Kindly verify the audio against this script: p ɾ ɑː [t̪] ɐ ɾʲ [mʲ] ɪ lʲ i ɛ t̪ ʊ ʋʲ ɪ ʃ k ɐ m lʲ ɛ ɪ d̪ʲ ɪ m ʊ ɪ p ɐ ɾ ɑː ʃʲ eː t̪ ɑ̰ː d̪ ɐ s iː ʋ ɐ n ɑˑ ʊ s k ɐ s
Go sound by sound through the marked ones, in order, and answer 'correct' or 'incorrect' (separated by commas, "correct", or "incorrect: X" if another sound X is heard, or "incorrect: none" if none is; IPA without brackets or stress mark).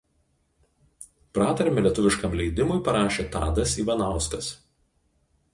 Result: correct, correct